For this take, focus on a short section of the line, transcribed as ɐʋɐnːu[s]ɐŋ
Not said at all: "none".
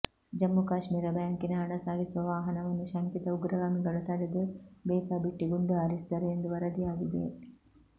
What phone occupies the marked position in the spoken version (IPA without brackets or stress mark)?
ʃ